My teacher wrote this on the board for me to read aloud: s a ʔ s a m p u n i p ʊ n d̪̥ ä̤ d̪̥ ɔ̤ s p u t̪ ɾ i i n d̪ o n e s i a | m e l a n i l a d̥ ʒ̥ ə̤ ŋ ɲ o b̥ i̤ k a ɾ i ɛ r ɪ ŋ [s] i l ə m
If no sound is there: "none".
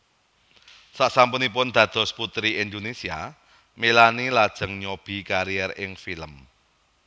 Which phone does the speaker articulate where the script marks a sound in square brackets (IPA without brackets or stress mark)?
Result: f